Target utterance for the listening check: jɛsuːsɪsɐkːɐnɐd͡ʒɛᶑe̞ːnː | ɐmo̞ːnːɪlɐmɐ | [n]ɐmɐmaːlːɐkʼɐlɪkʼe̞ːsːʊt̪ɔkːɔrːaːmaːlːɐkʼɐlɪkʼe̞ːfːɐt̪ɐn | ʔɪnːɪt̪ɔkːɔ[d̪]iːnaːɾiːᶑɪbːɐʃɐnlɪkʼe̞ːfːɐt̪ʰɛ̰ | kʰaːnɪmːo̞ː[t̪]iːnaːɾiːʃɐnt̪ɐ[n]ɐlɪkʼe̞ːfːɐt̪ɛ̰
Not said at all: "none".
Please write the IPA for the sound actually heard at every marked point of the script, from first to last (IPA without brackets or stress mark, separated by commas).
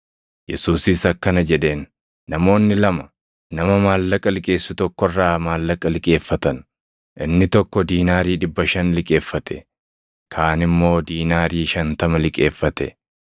n, d̪, d̪, m